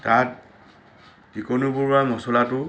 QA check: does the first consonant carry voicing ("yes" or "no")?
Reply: no